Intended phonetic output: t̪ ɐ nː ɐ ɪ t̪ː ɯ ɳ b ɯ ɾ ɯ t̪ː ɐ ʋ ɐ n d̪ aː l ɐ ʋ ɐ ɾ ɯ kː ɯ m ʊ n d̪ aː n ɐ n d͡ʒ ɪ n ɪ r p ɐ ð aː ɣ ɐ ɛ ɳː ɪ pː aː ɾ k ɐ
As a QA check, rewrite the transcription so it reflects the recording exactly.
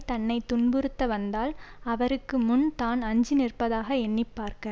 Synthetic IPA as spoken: t̪ ɐ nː ɐ ɪ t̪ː ʊ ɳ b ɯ ɾ ɯ t̪ː ɐ ʋ ɐ n d̪ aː l ɐ ʋ ɐ ɾ ɯ kː ɯ m ʊ n t̪ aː n ɐ ɲ d͡ʒ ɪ n ɪ r p ɐ ð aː ɣ ɐ ɛ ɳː ɪ pː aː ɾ k ɐ